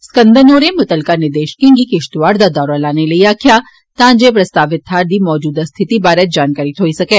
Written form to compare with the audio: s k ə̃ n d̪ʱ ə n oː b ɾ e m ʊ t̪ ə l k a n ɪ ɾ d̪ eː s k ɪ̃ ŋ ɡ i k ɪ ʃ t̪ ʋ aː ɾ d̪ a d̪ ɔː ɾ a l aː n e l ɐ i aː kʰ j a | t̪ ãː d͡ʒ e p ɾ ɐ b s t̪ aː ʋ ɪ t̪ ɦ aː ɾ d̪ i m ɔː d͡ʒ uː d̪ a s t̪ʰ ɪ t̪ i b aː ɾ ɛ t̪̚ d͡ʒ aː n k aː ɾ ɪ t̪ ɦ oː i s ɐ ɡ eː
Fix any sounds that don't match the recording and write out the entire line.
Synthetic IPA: s k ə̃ n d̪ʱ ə n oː ɾ e m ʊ t̪ ə l k a n ɪ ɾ d̪ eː ʃ k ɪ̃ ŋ ɡ i k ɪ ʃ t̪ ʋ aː ɾ d̪ a d̪ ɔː ɾ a l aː n e l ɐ i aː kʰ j a | t̪ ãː d͡ʒ e p ɾ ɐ s t̪ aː ʋ ɪ t̪ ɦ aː ɾ d̪ i m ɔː d͡ʒ uː d̪ a s t̪ʰ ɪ t̪ i b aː ɾ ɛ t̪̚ d͡ʒ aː n k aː ɾ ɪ t̪ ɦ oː i s ɐ k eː